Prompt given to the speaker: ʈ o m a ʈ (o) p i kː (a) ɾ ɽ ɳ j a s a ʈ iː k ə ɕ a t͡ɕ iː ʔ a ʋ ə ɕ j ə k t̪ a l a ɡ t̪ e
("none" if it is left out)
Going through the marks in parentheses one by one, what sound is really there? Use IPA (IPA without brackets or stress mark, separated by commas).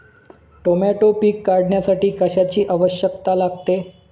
o, a